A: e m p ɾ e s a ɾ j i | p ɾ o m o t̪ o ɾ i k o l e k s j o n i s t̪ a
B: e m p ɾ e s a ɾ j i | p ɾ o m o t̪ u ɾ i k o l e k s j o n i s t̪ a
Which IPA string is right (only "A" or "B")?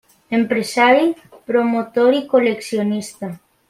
A